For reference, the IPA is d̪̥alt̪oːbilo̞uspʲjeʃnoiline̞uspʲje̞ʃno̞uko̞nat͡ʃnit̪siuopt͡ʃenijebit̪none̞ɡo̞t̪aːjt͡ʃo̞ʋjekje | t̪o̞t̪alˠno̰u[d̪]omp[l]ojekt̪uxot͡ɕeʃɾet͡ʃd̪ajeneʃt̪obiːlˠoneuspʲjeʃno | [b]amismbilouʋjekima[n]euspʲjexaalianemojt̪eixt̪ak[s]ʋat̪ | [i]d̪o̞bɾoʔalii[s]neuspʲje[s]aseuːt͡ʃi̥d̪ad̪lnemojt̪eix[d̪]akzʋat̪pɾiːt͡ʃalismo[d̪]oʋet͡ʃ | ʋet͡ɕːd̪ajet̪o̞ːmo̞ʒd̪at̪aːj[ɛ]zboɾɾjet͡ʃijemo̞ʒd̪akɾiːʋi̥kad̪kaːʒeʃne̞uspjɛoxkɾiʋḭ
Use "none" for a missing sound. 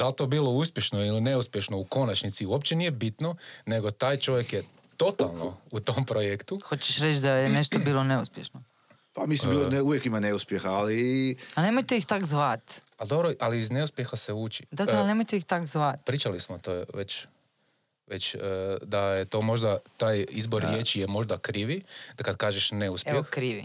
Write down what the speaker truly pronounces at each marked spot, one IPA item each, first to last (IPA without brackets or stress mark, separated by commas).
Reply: t̪, ɾ, p, n, z, a, z, x, t̪, t̪, i